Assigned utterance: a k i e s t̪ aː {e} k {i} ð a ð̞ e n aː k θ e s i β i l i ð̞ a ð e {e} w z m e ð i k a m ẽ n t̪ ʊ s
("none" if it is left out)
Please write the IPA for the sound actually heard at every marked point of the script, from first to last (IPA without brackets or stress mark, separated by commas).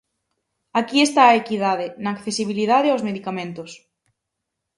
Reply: e, i, a